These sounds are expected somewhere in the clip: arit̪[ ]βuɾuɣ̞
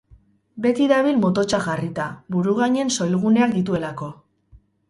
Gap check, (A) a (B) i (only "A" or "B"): A